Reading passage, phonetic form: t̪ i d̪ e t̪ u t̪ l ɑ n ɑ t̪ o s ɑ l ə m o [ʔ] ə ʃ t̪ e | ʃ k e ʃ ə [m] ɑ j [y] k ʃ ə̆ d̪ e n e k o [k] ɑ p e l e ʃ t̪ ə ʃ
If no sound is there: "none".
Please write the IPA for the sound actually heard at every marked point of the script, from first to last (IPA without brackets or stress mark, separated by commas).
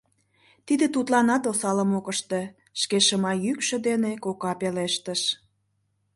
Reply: k, m, y, k